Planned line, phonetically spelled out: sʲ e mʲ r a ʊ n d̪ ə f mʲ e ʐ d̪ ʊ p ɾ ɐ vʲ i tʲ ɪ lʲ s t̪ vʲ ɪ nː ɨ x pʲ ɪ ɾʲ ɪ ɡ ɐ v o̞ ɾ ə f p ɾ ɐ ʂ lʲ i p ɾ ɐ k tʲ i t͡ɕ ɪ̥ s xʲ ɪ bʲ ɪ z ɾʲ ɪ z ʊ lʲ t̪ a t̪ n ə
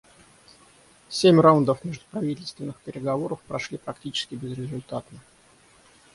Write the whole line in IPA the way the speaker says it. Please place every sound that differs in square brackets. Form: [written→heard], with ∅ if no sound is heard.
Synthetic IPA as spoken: sʲ e mʲ r a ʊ n d̪ ə f mʲ e ʐ d̪ ʊ p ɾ ɐ vʲ i tʲ ɪ lʲ s t̪ vʲ ɪ nː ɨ x pʲ ɪ ɾʲ ɪ ɡ ɐ v o̞ ɾ ə f p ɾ ɐ ʂ lʲ i p ɾ ɐ k tʲ i t͡ɕ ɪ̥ s [xʲ→kʲ] ɪ bʲ ɪ z ɾʲ ɪ z ʊ lʲ t̪ a t̪ n ə